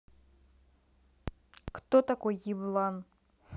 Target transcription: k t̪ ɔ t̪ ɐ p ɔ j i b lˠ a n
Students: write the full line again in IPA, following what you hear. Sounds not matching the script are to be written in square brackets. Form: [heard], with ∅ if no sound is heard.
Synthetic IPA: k t̪ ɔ t̪ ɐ [k] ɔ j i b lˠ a n

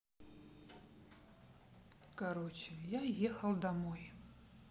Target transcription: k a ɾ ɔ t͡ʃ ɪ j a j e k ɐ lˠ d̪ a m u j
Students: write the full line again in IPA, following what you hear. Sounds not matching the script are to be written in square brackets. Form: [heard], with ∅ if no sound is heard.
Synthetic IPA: k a ɾ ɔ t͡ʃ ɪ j a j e [x] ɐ lˠ d̪ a m [ɔ] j

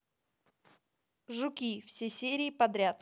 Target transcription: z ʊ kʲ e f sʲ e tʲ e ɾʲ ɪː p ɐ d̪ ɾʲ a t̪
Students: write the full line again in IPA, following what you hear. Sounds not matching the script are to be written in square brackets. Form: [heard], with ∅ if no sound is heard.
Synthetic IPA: [ʐ] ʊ kʲ [i] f sʲ e [sʲ] e ɾʲ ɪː p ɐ d̪ ɾʲ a t̪

